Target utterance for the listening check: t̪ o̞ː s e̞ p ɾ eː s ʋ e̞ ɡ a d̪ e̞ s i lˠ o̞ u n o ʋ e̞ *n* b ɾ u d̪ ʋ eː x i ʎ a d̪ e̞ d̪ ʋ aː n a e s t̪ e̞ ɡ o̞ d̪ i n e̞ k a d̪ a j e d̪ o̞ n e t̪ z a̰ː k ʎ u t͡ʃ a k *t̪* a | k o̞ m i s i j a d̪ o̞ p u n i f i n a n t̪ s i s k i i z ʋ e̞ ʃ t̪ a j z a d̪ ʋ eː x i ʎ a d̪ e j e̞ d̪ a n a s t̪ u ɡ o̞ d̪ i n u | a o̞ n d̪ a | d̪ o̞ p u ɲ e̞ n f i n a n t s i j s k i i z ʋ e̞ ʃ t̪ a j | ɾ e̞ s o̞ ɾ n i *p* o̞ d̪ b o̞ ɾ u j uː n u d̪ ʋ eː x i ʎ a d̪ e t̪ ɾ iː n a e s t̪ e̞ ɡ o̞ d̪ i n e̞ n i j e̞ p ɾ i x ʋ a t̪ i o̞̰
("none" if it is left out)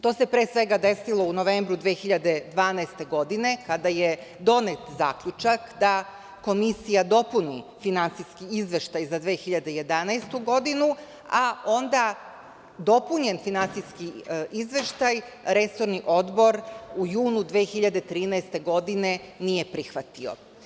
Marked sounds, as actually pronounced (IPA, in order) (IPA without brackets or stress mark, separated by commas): m, d̪, ʔ